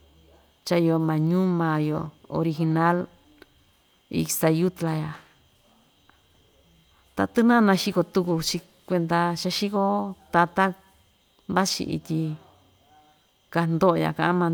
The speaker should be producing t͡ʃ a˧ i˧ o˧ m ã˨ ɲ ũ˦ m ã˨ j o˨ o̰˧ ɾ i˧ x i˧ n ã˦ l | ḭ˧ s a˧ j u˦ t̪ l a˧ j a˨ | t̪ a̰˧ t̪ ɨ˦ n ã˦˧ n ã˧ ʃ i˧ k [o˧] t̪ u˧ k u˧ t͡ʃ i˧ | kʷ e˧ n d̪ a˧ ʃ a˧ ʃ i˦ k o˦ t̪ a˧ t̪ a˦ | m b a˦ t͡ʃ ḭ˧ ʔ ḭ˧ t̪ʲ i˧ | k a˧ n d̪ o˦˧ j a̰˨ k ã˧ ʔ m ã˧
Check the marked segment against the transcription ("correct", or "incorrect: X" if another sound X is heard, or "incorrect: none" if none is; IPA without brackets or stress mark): correct